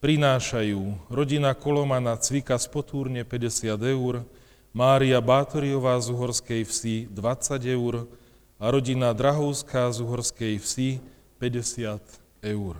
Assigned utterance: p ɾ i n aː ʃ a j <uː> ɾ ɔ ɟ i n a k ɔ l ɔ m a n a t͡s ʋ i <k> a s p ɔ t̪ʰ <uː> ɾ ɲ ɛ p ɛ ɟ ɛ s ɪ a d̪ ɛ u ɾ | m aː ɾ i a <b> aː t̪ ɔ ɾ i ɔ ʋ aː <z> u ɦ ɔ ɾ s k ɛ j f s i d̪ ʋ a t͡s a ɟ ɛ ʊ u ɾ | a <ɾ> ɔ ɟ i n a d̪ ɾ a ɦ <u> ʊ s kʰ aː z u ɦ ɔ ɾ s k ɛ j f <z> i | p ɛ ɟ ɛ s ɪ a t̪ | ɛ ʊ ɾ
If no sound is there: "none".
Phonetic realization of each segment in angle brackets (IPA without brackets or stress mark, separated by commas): uː, k, uː, b, z, ɾ, ɔ, s